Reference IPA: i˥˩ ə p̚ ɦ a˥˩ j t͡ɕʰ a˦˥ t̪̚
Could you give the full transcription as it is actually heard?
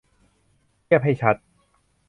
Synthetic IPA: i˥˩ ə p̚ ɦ a˥˩ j t͡ɕʰ a˦˥ t̪̚